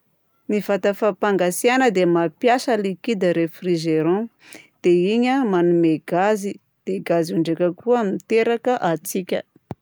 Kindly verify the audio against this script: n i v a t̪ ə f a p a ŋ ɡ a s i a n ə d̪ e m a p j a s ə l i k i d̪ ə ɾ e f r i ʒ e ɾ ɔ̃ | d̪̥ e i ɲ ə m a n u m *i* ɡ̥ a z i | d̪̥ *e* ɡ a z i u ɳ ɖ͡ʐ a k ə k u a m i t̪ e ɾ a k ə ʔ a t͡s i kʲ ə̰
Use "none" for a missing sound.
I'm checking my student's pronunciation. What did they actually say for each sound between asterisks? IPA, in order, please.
e, e

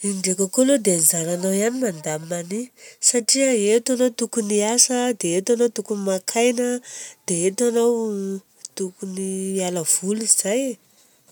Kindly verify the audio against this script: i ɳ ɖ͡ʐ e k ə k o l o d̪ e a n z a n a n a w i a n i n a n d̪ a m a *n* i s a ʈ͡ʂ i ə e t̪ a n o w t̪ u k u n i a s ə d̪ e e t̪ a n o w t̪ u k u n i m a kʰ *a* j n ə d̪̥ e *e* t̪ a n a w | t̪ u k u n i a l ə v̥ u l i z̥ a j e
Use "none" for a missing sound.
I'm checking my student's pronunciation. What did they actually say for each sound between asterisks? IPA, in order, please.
n, a, e

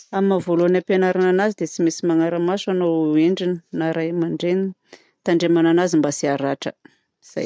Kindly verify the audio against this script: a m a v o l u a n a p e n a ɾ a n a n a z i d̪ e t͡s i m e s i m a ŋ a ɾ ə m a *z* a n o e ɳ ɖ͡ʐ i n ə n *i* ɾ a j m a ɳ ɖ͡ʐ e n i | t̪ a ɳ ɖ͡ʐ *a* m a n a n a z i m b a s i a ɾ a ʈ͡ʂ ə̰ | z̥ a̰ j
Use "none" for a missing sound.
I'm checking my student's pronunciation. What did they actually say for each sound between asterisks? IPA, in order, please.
s, a, e

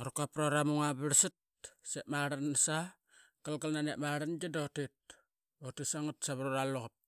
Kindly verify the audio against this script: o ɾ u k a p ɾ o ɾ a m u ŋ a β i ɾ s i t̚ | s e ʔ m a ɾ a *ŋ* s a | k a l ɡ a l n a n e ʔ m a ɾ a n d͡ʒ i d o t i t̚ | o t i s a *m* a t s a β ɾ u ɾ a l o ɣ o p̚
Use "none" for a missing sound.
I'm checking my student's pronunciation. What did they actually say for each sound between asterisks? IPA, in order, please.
n, ŋ

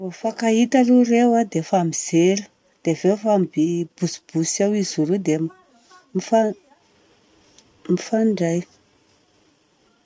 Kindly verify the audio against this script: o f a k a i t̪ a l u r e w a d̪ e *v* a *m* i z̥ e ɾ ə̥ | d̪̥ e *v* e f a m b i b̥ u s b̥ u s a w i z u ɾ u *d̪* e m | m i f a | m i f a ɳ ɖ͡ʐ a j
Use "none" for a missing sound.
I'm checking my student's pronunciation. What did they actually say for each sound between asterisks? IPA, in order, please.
f, m, v, d̪

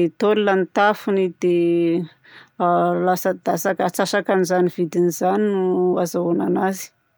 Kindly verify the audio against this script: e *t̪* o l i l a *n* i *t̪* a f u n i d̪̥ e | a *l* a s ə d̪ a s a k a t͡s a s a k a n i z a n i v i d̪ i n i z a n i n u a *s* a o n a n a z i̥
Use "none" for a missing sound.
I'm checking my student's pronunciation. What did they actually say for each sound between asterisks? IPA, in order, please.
t̪, n, t̪, l, z

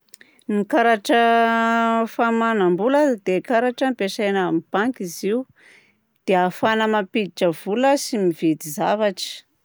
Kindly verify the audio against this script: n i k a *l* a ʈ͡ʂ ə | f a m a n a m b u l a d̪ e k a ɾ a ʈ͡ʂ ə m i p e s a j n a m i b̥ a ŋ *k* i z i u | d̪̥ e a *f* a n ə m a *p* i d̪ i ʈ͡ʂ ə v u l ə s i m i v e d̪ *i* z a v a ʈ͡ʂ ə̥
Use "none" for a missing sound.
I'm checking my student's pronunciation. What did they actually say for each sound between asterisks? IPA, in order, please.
ɾ, k, f, p, i

